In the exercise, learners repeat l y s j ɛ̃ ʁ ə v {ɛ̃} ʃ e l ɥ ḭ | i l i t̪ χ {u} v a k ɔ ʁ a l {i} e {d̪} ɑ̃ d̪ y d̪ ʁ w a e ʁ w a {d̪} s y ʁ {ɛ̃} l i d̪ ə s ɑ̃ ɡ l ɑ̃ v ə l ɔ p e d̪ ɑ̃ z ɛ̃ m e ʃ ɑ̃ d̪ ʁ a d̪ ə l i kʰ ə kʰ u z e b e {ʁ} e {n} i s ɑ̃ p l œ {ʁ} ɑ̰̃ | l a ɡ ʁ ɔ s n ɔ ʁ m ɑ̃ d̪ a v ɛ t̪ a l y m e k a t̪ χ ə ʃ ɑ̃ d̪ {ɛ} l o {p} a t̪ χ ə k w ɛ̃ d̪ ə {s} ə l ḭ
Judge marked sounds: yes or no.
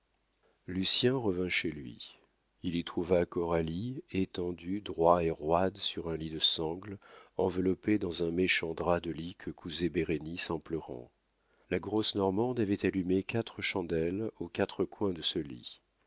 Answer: yes, yes, yes, no, yes, yes, yes, yes, yes, yes, no, yes

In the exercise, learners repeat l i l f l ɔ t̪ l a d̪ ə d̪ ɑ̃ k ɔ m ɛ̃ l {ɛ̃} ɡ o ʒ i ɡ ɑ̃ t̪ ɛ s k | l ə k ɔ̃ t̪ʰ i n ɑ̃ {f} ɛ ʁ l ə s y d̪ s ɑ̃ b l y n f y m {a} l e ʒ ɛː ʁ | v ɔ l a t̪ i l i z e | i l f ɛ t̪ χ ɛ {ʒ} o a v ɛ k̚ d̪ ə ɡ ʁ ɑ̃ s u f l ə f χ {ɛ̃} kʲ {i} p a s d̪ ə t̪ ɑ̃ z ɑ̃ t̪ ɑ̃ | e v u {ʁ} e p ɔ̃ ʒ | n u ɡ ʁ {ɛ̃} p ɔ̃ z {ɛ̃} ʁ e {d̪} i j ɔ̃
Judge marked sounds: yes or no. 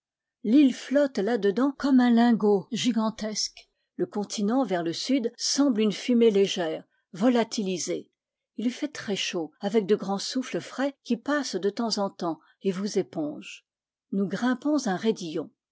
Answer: yes, no, no, no, no, yes, no, yes, yes, yes

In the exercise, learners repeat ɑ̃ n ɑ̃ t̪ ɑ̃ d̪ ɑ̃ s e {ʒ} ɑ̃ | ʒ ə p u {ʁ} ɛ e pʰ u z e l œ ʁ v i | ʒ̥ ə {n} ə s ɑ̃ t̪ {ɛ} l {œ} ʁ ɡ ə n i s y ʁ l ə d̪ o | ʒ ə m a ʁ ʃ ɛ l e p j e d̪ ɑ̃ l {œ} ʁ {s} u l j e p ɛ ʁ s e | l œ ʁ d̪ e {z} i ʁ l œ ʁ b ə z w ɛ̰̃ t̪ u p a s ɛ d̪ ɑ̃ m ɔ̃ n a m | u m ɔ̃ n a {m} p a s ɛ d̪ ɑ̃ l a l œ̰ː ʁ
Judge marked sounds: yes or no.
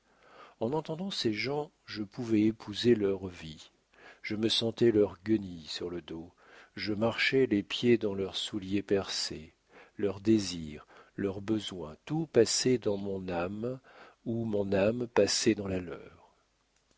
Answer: yes, no, no, yes, yes, yes, yes, yes, yes

